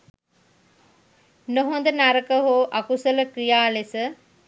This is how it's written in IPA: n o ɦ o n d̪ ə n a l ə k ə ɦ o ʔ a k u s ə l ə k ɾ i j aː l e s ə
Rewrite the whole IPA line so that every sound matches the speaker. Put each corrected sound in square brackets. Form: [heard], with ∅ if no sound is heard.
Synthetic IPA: n o ɦ o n d̪ ə n a [ɾ] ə k ə ɦ o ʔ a k u s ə l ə k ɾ i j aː l e s ə